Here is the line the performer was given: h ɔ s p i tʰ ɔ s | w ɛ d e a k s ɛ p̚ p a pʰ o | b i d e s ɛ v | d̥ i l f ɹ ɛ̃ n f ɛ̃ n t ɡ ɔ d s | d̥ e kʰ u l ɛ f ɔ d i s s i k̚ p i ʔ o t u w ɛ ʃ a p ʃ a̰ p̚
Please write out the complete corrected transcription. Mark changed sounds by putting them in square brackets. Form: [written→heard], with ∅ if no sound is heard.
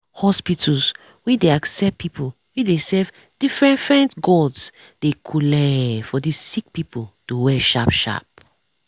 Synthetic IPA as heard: h ɔ s p i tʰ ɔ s | w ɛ d e a k s ɛ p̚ p [a→i] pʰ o | [b→w] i d e s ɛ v | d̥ i [l→∅] f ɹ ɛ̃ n f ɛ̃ n t ɡ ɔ d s | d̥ e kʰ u l ɛ f ɔ d i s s i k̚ p i [ʔ→p] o t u w ɛ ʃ a p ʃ a̰ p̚

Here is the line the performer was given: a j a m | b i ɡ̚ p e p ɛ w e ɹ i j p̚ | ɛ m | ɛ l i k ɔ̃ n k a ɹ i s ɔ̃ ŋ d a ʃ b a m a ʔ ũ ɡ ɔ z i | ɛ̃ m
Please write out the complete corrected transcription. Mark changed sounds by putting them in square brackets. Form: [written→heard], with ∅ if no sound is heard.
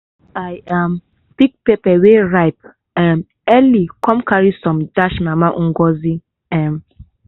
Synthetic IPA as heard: a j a m | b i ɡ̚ p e p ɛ w e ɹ [i→a] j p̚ | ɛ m | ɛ l i k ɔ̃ [n→m] k a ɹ i s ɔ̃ [ŋ→m] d a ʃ [b→m] a m a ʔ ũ ɡ ɔ z i | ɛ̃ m

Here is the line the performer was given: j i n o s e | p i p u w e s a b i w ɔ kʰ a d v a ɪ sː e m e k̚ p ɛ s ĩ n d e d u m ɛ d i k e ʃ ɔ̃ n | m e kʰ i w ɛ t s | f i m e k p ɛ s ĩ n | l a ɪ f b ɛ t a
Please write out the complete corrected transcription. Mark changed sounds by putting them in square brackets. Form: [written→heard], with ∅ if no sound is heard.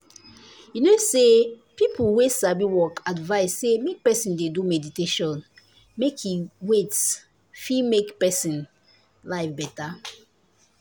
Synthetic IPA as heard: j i n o s e | p i p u w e s a b i w ɔ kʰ a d v a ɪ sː e m e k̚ p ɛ s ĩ n d e d u m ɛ d i [k→t] e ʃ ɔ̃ n | m e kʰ i w [ɛ→e] t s | f i m e k p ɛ s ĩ n | l a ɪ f b ɛ t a

